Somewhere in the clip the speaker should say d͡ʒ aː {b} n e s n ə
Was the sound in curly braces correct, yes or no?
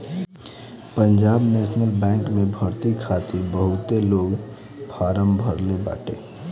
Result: yes